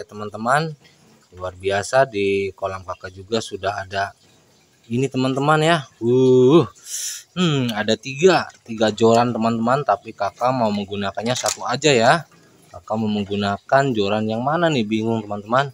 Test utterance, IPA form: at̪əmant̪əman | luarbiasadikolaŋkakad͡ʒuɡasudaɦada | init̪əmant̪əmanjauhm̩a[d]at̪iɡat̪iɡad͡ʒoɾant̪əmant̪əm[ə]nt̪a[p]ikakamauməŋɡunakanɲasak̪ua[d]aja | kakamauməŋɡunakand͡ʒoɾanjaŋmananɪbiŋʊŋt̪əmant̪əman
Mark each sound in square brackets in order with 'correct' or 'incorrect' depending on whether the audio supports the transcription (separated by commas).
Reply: correct, incorrect, correct, incorrect